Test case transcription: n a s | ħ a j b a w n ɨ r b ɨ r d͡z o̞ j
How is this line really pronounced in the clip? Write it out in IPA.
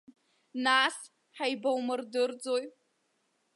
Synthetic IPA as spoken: n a s | ħ a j b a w m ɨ r d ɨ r d͡z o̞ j